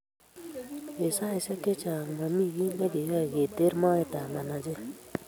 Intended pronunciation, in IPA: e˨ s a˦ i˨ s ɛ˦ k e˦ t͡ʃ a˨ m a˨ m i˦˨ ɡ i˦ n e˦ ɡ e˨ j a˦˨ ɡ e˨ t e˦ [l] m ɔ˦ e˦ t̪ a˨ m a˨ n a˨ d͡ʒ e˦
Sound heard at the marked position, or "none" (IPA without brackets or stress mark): ɾ